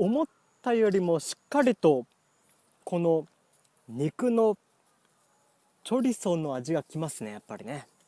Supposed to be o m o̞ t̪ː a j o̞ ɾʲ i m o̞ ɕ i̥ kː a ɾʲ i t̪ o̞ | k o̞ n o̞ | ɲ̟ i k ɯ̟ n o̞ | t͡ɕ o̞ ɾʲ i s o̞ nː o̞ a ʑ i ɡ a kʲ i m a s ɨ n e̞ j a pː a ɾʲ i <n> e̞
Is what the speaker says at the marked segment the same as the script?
yes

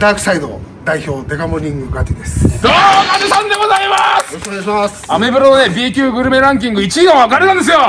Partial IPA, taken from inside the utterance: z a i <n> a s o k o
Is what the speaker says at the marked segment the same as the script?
no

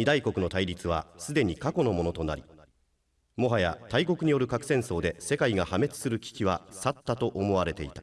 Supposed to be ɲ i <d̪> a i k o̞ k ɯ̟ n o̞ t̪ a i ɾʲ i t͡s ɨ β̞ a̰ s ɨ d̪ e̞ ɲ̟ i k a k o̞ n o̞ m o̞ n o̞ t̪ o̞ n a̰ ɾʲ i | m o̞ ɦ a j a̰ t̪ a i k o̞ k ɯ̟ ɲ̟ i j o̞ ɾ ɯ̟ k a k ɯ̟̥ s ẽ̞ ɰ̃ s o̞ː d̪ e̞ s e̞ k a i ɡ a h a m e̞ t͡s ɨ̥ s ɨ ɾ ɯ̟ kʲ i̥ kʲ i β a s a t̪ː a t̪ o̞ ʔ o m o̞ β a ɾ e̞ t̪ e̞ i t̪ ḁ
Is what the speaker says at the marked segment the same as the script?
yes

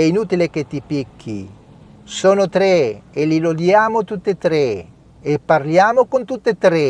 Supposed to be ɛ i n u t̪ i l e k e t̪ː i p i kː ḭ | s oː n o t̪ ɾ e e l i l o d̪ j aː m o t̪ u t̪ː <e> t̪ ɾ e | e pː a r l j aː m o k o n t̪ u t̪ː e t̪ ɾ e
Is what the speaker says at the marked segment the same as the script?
yes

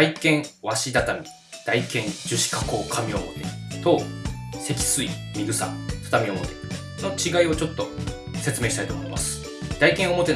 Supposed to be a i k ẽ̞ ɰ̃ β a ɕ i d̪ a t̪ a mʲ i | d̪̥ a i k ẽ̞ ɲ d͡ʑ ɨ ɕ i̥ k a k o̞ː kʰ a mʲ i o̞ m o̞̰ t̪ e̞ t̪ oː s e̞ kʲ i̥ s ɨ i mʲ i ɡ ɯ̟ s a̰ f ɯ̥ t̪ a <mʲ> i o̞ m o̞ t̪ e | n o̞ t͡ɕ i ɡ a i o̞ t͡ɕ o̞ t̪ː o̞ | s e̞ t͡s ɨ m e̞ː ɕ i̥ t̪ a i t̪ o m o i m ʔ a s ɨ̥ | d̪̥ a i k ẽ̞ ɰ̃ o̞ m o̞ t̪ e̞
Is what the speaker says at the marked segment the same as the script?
yes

